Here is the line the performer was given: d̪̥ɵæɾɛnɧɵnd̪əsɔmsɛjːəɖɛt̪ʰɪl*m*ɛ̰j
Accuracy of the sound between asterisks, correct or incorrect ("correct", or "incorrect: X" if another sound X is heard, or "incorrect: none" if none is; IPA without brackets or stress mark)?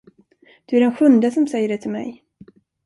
correct